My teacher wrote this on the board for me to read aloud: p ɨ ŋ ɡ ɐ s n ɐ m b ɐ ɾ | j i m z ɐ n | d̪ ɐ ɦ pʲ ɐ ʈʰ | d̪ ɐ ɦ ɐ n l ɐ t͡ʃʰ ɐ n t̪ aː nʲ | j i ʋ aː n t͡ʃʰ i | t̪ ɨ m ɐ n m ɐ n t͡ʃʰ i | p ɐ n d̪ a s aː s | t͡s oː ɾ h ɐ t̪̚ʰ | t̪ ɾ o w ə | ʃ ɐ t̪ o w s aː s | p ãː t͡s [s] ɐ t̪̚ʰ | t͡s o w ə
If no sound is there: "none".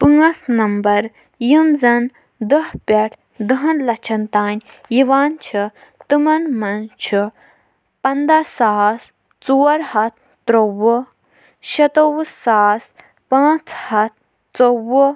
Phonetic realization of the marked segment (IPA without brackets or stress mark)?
h